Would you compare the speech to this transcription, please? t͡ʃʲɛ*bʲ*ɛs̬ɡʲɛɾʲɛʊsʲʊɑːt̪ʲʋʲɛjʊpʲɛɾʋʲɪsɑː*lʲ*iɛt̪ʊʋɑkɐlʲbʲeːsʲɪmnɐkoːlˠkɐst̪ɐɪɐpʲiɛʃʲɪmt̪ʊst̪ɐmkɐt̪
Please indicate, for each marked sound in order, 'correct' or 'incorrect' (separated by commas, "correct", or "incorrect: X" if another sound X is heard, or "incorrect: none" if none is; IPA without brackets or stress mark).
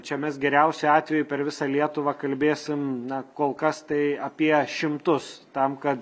incorrect: mʲ, correct